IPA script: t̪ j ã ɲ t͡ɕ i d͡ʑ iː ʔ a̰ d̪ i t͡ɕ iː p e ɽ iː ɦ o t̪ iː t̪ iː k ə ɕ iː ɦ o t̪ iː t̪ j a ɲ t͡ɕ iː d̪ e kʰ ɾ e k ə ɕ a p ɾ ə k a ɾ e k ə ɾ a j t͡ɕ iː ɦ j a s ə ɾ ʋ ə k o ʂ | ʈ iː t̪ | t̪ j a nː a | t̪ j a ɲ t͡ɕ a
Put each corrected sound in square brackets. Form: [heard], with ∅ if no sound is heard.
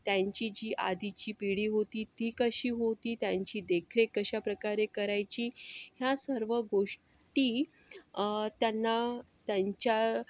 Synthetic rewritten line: t̪ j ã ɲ t͡ɕ i d͡ʑ iː ʔ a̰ d̪ i t͡ɕ iː p [i] ɽ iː ɦ o t̪ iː t̪ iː k ə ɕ iː ɦ o t̪ iː t̪ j a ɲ t͡ɕ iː d̪ e kʰ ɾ e k ə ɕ a p ɾ ə k a ɾ e k ə ɾ a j t͡ɕ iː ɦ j a s ə ɾ ʋ ə [ɡ] o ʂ | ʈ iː [∅] | t̪ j a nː a | t̪ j a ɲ t͡ɕ a

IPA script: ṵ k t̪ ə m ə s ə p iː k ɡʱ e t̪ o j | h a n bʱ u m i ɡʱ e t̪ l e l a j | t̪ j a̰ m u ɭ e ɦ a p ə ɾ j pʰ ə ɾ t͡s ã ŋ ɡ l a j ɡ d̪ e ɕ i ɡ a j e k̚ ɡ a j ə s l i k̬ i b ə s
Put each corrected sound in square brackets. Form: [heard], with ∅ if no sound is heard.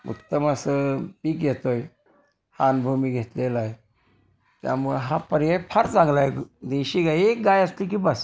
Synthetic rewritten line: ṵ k t̪ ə m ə s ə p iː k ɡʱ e t̪ o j | h a n bʱ u m i ɡʱ e t̪ l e l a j | t̪ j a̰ m u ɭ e ɦ a p ə ɾ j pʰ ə ɾ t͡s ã ŋ ɡ l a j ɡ d̪ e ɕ i ɡ a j e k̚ ɡ a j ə s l i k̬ i b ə s

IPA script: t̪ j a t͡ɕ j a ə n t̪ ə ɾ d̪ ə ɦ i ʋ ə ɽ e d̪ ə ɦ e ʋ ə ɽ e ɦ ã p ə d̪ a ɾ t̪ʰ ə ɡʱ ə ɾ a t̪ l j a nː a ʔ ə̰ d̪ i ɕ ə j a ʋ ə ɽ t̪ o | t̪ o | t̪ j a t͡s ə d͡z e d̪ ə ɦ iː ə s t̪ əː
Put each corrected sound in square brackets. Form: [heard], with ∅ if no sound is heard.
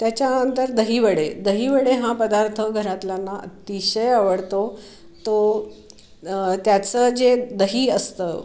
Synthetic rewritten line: t̪ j a t͡ɕ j a ə n t̪ ə ɾ d̪ ə ɦ i ʋ ə ɽ e d̪ ə ɦ [i] ʋ ə ɽ e ɦ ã p ə d̪ a ɾ t̪ʰ ə ɡʱ ə ɾ a t̪ l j a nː a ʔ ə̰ [t̪] i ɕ ə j a ʋ ə ɽ t̪ o | t̪ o | t̪ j a t͡s ə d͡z e d̪ ə ɦ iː ə s t̪ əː

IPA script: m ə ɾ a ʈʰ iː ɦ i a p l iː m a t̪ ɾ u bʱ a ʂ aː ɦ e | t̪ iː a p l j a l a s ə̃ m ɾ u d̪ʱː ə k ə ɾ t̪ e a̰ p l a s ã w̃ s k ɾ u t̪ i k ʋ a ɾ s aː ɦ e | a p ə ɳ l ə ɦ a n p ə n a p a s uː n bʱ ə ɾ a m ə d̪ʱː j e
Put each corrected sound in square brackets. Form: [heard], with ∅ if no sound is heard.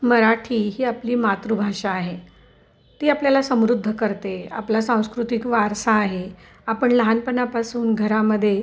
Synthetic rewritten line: m ə ɾ a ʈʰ iː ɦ [iː] a p l iː m a t̪ ɾ u bʱ a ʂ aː ɦ e | t̪ iː a p l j a l a s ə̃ m ɾ u d̪ʱː ə k ə ɾ t̪ e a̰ p l a s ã w̃ s k ɾ u t̪ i k ʋ a ɾ s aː ɦ e | a p ə ɳ l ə ɦ a n p ə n a p a s uː n [ɡʱ] ə ɾ a m ə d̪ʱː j e

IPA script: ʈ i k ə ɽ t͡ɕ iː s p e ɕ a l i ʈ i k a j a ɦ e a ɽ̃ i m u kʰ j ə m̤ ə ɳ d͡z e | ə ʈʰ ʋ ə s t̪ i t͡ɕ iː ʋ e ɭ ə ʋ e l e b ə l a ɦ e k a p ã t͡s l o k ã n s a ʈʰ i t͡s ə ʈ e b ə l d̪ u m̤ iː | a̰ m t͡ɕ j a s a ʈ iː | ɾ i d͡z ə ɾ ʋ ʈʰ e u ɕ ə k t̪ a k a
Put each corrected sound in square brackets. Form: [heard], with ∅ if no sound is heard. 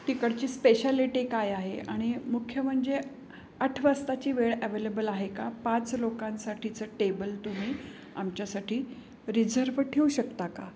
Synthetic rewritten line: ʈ i k ə ɽ t͡ɕ iː s p e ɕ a l i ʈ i k a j a ɦ e a ɽ̃ i m u kʰ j ə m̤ ə ɳ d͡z e | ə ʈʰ ʋ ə s t̪ [a] t͡ɕ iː ʋ e ɭ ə ʋ e l e b ə l a ɦ e k a p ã t͡s l o k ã n s a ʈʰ i t͡s ə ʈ e b ə l [t̪] u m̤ iː | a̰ m t͡ɕ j a s a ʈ iː | ɾ i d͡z ə ɾ ʋ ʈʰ e u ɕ ə k t̪ a k a

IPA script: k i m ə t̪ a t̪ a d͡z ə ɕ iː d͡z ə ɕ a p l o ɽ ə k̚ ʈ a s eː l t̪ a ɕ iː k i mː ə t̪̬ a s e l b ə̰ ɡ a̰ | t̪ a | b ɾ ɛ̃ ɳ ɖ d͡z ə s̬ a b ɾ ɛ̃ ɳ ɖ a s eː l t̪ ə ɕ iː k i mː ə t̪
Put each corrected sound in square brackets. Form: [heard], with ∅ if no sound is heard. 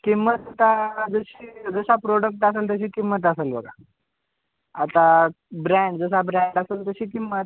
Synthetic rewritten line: k i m ə t̪ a t̪ a d͡z ə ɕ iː d͡z ə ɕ a p [ɾ] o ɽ ə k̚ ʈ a s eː l t̪ [ə] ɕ iː k i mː ə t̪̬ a s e l b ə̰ ɡ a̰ | t̪ a | b ɾ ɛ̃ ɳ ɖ d͡z ə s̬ a b ɾ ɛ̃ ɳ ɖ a s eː l t̪ ə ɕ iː k i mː ə t̪

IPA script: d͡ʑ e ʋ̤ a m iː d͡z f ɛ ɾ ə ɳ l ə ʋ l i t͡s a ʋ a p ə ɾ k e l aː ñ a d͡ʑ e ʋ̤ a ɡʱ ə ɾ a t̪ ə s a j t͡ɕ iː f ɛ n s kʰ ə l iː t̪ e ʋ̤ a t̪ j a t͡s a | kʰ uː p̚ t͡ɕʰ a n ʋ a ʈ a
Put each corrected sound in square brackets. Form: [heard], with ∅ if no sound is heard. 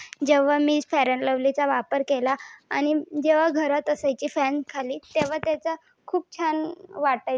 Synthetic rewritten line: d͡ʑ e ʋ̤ a m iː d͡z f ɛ ɾ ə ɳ l ə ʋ l i t͡s a ʋ a p ə ɾ k e l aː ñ [i] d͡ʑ e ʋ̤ a ɡʱ ə ɾ a t̪ ə s a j t͡ɕ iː f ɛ n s kʰ [a] l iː t̪ e ʋ̤ a t̪ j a t͡s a | kʰ uː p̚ t͡ɕʰ a n ʋ a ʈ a

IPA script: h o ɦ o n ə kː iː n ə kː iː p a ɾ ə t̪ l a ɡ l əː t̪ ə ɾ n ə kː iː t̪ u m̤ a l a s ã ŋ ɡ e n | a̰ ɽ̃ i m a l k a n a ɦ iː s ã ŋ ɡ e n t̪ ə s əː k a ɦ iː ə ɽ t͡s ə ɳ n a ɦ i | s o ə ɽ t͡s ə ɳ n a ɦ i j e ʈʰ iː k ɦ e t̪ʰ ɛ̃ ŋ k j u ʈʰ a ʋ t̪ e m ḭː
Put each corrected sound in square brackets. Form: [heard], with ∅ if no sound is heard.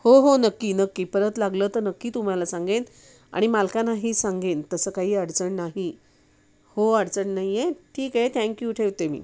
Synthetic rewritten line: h o ɦ o n ə kː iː n ə kː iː p [ə] ɾ ə t̪ l a ɡ l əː t̪ ə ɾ n ə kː iː t̪ u m̤ a l a s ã ŋ ɡ e n | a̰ ɽ̃ i m a l k a n a ɦ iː s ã ŋ ɡ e n t̪ ə s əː k a ɦ iː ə ɽ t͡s ə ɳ n a ɦ i | [h] o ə ɽ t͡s ə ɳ n a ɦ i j e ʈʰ iː k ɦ e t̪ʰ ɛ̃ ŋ k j u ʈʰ [e] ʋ t̪ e m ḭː

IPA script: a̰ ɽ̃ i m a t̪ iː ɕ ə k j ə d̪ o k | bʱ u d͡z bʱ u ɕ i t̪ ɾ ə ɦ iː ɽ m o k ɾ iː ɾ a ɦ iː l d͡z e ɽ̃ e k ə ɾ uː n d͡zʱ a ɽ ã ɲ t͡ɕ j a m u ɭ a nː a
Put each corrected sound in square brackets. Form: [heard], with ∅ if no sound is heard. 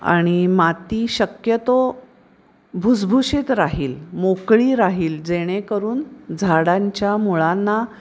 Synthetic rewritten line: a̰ ɽ̃ i m a t̪ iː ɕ ə k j ə [t̪] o [∅] | bʱ u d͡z bʱ u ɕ i t̪ ɾ [a] ɦ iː [l] m o k [ɭ] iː ɾ a ɦ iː l d͡z e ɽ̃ e k ə ɾ uː n d͡zʱ a ɽ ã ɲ t͡ɕ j a m u ɭ a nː a

